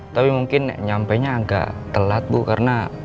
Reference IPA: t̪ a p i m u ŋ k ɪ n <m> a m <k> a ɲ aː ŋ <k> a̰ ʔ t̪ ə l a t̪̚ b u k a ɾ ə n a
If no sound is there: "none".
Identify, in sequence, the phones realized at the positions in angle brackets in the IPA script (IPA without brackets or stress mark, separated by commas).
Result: ɲ, p, ɡ